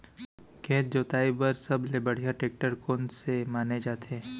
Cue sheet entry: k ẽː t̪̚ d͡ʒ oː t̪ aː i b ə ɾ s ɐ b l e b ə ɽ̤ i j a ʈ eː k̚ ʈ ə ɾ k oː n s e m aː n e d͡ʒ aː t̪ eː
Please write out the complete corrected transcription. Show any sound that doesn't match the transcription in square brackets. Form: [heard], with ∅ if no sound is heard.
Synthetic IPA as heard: k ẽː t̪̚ d͡ʒ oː t̪ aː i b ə ɾ s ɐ b l e b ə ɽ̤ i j a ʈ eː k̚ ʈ ə ɾ k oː n s e m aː n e d͡ʒ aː t̪ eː